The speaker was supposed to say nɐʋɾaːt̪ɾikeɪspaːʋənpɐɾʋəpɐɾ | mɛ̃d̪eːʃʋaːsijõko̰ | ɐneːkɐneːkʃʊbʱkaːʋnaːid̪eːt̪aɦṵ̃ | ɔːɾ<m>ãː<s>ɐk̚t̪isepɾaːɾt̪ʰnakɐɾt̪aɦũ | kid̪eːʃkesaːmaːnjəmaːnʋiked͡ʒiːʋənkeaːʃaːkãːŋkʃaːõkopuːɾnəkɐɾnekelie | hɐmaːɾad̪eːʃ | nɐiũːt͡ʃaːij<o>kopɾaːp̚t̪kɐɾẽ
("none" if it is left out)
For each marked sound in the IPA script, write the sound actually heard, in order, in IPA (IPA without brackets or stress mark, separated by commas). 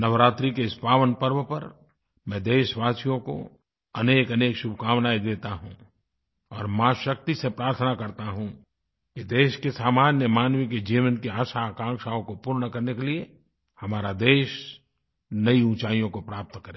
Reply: m, ʃ, õ